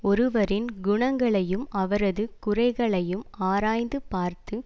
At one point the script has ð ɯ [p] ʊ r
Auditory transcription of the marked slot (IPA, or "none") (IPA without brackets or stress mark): k